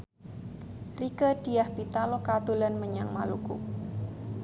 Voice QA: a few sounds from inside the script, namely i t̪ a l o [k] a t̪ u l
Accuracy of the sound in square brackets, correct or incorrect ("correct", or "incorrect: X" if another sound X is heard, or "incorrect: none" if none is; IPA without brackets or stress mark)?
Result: correct